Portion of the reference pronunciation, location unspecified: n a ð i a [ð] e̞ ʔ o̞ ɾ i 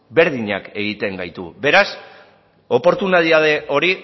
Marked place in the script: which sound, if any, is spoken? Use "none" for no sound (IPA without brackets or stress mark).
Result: ð